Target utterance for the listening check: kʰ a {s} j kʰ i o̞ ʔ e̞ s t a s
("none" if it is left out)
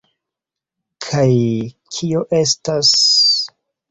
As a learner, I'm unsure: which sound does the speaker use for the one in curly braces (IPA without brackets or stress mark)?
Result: none